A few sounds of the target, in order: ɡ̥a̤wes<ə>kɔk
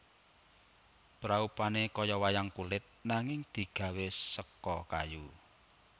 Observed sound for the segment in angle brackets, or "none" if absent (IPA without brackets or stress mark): ə